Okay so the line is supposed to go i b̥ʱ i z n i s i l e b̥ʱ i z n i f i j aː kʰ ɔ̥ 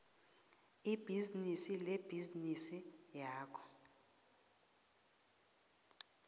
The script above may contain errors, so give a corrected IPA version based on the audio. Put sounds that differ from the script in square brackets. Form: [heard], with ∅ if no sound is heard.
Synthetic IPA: i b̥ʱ i z n i s i l e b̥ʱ i z n i [s] i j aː kʰ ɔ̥

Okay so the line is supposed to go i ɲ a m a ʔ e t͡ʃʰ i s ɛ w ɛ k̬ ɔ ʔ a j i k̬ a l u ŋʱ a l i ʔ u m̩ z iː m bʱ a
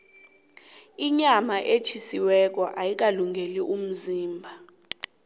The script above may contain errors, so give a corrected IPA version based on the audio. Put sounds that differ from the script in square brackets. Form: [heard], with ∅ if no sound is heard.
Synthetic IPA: i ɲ a m a ʔ e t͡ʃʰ i s [i] w ɛ k̬ ɔ ʔ a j i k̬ a l u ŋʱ [e] l i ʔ u m̩ z iː m bʱ a

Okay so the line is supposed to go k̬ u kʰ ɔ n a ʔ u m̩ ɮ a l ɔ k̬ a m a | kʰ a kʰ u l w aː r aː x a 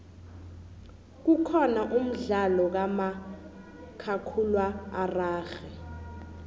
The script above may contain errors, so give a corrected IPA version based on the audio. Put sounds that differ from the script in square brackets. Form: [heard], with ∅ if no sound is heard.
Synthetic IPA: k̬ u kʰ ɔ n a ʔ u m̩ ɮ a l ɔ k̬ a m a | kʰ a kʰ u l w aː r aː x [ɛ]

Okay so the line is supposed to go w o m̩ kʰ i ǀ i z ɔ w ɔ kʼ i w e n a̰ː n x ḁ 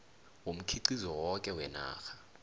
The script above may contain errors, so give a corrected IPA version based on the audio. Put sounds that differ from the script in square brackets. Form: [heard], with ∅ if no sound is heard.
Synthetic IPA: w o m̩ kʰ i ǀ i z ɔ w ɔ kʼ [ɛ] w [ɛ] n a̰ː [∅] x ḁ

